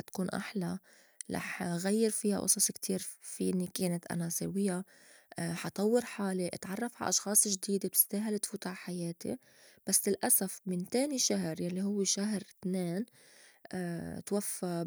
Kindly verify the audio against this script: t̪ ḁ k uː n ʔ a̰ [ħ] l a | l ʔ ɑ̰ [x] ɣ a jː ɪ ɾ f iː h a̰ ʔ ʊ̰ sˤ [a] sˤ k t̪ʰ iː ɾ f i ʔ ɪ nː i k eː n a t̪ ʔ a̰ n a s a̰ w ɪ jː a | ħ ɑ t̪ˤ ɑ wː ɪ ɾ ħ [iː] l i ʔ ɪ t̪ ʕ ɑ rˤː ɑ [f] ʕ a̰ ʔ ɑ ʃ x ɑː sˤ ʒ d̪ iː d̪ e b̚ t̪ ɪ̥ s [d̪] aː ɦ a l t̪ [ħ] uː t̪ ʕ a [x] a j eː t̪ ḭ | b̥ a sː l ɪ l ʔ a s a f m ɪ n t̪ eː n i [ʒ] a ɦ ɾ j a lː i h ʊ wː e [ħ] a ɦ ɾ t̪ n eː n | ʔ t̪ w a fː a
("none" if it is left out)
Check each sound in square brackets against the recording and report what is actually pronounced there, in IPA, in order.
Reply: ħ, ħ, ɑ, aː, f, t̪, f, ħ, ʃ, ʃ

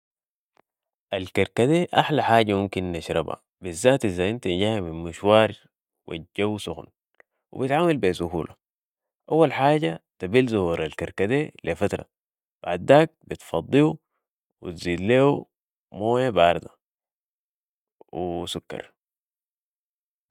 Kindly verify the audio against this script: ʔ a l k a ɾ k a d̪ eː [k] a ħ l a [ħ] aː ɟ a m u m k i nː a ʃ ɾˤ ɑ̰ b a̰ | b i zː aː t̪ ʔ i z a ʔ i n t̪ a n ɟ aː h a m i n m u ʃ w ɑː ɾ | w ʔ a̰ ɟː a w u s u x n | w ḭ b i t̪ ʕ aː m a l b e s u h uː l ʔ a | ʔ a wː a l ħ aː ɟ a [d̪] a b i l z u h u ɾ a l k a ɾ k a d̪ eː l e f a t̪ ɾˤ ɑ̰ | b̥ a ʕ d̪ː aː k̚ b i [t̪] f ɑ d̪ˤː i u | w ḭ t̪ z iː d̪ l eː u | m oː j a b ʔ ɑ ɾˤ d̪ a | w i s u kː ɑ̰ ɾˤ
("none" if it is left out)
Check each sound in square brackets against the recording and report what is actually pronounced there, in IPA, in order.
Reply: ʔ, ħ, t̪, t̪

